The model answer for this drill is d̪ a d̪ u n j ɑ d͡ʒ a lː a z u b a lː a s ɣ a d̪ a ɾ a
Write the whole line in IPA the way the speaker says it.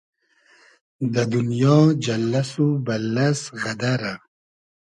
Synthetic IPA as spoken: d̪ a d̪ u n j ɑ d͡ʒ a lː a s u b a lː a s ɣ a d̪ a ɾ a

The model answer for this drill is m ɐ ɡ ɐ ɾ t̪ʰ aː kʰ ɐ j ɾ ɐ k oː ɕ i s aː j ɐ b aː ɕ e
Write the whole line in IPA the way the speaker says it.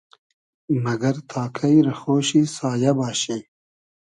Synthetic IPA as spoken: m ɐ ɡ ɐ ɾ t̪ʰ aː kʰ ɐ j ɾ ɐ x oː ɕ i s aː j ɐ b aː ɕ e

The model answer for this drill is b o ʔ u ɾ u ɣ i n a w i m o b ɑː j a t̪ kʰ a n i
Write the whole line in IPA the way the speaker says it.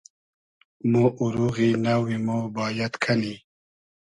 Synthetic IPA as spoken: m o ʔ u ɾ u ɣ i n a w i m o b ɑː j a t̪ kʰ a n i

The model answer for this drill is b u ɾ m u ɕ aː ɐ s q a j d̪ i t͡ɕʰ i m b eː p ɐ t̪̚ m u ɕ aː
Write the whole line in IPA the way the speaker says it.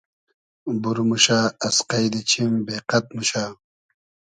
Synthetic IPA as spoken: b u ɾ m u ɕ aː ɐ s q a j d̪ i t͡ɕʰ i m b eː q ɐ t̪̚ m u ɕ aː

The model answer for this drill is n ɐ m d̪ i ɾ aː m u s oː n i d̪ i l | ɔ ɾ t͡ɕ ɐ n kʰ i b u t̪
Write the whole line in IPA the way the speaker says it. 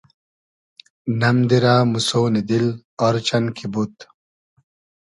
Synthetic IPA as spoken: n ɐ m d̪ i ɾ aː m u s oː n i d̪ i l | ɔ ɾ t͡ɕ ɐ n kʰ i b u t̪

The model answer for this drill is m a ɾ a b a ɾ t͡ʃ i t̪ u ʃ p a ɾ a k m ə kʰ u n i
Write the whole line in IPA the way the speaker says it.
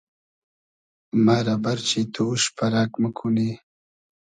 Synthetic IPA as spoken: m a ɾ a b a ɾ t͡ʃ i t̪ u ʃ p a ɾ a k m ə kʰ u n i

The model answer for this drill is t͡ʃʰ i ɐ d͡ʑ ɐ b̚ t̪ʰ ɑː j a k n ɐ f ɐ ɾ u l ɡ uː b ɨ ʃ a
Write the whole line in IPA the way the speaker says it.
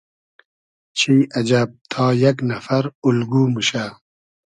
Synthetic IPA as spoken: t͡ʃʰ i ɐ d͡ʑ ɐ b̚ t̪ʰ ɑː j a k n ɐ f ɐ ɾ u l ɡ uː m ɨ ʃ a

